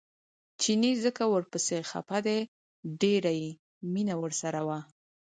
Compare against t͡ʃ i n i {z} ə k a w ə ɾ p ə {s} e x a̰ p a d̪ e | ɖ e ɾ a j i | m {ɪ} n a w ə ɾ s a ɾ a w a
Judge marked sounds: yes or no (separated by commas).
yes, yes, no